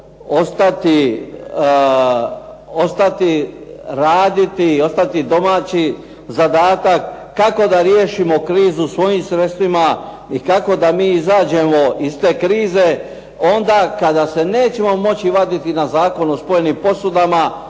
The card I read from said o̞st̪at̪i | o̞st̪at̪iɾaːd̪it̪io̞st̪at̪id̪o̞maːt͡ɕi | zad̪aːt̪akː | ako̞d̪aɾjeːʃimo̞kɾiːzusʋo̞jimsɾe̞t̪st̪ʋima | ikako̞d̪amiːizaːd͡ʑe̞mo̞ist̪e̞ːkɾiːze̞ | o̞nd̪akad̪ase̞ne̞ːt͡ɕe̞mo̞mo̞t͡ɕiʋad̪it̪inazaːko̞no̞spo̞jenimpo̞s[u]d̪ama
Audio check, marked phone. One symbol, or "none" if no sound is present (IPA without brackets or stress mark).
u